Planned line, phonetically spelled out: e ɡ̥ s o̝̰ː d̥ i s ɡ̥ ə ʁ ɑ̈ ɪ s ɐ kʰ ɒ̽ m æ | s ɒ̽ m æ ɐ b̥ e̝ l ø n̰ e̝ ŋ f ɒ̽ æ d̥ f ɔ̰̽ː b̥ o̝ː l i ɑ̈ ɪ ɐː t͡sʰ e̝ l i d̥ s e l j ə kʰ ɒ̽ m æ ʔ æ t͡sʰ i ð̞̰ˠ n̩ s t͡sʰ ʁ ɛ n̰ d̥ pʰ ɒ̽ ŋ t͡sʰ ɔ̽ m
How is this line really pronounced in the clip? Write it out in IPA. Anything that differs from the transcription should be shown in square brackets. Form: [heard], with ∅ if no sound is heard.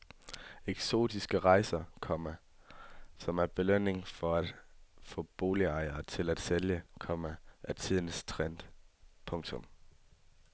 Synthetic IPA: e ɡ̥ s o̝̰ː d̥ i s ɡ̥ ə ʁ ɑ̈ ɪ s ɐ kʰ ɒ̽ m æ | s ɒ̽ m æ ɐ b̥ e̝ l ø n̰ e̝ ŋ f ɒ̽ æ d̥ f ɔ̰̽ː b̥ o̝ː l i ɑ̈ ɪ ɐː t͡sʰ e̝ l [æ] d̥ s e l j ə kʰ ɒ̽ m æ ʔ æ t͡sʰ i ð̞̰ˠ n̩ s t͡sʰ ʁ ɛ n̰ d̥ pʰ [ɔ̽] ŋ t͡sʰ ɔ̽ m

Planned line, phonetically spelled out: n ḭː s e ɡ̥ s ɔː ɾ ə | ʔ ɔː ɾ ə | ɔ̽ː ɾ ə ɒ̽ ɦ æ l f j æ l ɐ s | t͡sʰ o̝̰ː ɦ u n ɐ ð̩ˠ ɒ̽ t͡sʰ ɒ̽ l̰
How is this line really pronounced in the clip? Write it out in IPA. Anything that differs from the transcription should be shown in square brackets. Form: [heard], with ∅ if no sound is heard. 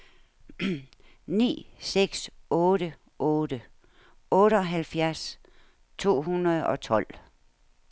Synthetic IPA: n ḭː s e ɡ̥ s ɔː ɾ ə | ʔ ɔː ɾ ə | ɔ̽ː ɾ ə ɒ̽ ɦ æ l f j æ [∅] ɐ s | t͡sʰ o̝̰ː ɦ u n ɐ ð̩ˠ ɒ̽ t͡sʰ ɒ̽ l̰

